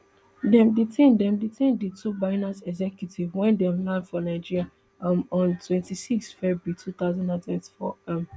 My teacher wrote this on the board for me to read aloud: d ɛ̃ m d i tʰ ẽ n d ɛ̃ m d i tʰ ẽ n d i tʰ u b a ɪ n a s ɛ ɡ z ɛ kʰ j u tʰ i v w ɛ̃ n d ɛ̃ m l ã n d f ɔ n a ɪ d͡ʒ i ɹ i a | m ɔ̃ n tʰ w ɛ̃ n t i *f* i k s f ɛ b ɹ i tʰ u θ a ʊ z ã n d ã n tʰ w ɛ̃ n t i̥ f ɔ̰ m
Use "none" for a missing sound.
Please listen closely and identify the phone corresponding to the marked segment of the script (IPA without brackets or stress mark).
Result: s